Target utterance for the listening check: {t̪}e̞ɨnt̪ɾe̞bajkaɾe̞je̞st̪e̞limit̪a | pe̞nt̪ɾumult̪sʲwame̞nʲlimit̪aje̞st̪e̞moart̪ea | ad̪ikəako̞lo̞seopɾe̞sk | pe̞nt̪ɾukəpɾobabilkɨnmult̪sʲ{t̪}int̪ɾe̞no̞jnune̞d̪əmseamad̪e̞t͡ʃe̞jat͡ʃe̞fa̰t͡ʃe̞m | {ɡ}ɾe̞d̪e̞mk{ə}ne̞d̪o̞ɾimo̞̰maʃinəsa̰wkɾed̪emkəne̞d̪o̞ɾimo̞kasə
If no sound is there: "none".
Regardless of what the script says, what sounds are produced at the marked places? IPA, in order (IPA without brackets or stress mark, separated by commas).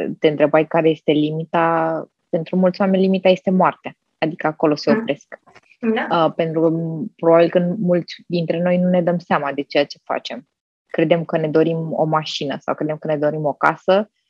t̪, d̪, k, ə